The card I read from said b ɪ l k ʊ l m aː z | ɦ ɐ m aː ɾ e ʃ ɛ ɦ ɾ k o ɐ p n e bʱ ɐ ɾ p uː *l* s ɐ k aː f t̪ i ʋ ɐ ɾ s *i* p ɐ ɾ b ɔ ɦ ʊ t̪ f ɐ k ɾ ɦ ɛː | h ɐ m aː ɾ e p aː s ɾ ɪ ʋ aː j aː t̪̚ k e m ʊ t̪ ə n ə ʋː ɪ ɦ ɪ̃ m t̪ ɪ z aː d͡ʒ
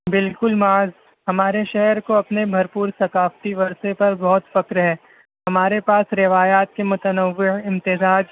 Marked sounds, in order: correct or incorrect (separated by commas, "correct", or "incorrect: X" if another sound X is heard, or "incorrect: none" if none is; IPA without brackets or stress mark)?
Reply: incorrect: ɾ, incorrect: e